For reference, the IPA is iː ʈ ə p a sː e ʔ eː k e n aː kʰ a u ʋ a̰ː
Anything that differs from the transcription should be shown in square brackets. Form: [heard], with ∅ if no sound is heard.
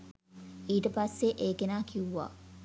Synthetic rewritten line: iː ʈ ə p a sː e ʔ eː k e n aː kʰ [i] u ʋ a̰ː